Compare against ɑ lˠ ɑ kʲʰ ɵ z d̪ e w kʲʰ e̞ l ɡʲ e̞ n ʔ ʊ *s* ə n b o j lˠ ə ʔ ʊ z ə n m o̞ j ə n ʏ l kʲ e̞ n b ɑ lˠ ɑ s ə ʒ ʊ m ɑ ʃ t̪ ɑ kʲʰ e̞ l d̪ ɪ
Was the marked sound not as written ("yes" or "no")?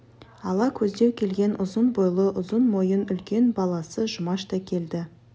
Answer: yes